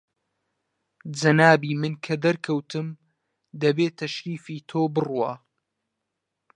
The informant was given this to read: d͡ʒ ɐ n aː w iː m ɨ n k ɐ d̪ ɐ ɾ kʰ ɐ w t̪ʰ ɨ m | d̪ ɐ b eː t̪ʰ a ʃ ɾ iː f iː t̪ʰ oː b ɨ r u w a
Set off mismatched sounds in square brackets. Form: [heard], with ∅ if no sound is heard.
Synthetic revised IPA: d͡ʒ ɐ n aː [b] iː m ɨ n [kʰ] ɐ d̪ ɐ ɾ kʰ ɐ w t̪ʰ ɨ m | d̪ ɐ b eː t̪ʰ [ɐ] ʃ ɾ iː f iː t̪ʰ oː b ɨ r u w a